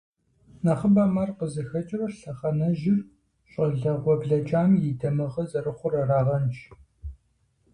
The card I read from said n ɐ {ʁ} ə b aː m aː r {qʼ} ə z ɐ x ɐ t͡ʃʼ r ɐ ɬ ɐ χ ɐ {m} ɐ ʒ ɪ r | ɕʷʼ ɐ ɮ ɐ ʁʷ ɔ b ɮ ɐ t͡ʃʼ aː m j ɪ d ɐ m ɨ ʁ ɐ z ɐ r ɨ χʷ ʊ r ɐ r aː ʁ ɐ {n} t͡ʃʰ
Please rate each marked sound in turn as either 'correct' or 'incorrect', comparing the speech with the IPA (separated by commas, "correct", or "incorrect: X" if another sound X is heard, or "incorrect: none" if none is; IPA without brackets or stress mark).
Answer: incorrect: χ, incorrect: q, incorrect: n, correct